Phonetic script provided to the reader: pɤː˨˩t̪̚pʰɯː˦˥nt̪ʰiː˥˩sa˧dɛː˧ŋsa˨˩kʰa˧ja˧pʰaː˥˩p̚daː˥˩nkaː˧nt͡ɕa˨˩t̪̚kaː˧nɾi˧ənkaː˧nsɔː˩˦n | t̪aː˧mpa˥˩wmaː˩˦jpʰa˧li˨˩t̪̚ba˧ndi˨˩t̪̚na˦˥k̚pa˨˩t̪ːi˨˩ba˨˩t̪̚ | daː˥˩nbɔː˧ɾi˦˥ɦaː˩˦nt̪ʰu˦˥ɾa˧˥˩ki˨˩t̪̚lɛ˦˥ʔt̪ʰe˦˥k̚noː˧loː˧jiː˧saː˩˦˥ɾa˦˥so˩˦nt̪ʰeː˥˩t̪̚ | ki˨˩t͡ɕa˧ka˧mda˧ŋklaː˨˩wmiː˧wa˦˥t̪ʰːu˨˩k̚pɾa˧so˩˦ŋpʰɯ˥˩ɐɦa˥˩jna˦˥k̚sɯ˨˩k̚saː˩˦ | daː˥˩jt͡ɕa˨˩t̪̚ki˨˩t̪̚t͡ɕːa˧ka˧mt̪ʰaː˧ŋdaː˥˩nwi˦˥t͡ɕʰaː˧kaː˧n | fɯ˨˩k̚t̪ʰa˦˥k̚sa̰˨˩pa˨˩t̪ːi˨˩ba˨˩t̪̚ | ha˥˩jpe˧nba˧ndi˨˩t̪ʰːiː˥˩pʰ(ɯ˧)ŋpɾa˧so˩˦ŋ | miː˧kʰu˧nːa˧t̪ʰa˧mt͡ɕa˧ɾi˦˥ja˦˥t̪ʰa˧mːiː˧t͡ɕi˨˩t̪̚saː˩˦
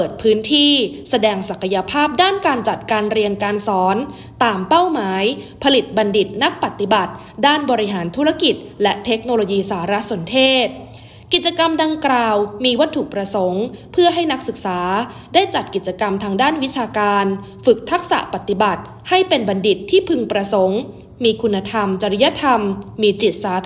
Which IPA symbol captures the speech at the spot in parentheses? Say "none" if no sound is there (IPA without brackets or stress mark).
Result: ɯ˧